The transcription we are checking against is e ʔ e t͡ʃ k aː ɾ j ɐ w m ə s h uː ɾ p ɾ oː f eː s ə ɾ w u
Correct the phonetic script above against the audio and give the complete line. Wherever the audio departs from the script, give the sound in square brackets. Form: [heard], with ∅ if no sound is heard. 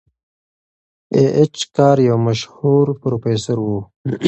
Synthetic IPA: e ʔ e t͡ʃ k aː ɾ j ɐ w m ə [ʃ] h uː ɾ p ɾ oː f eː s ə ɾ w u